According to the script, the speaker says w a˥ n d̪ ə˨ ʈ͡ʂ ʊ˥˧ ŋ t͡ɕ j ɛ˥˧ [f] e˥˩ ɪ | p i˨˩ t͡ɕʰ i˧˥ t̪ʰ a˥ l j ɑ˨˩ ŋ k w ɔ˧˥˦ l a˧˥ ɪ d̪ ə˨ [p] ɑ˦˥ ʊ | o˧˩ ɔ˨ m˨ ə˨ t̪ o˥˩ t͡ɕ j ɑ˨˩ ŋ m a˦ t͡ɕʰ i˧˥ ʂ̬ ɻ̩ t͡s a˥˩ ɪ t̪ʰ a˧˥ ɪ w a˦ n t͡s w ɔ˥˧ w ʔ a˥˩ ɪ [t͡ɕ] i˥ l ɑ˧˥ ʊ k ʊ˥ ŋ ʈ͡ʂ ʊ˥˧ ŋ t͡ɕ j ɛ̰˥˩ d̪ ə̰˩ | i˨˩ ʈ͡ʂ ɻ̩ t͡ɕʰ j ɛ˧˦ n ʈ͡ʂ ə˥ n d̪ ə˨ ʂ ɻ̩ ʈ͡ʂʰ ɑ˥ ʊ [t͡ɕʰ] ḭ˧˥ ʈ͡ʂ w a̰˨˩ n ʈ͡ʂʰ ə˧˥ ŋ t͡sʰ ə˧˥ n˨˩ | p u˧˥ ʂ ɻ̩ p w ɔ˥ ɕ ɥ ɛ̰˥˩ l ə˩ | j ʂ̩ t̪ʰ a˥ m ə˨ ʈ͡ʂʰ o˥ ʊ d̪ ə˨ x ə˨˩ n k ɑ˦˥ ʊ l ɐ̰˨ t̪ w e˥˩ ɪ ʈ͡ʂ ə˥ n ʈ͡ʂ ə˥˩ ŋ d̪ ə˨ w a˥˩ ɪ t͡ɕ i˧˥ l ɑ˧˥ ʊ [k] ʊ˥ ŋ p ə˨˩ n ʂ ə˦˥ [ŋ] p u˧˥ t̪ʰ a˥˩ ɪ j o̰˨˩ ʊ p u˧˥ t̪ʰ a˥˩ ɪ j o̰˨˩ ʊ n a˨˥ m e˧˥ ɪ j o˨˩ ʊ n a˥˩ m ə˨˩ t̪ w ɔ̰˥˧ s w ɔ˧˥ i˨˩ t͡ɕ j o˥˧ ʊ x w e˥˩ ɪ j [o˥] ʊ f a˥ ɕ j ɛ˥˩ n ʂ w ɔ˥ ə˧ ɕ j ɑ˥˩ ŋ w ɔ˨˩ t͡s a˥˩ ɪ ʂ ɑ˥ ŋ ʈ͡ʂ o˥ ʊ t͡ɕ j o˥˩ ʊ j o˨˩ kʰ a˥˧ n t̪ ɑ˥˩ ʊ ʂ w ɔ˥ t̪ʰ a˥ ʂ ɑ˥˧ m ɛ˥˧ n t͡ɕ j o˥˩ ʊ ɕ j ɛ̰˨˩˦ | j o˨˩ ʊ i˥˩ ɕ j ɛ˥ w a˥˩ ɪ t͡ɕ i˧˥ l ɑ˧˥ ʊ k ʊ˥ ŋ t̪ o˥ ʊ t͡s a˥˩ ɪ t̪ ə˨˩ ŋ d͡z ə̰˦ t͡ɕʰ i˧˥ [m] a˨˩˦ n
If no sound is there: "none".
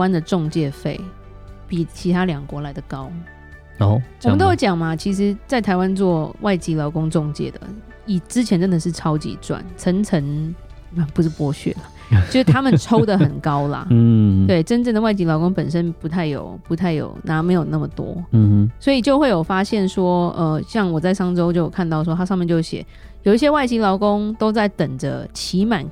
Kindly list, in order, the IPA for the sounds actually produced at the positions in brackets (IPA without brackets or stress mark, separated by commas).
f, k, t͡ɕ, t͡ɕ, k, n, o˨˩, m